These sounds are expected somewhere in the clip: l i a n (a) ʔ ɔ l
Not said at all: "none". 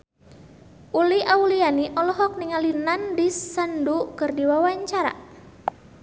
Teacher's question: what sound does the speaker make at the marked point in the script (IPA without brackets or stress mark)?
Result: i